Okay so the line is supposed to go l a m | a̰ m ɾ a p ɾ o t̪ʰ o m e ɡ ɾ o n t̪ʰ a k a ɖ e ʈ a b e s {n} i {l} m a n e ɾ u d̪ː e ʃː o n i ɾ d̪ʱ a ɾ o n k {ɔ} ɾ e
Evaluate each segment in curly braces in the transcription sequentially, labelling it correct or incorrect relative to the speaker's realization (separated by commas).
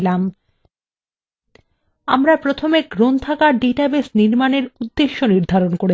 correct, incorrect, incorrect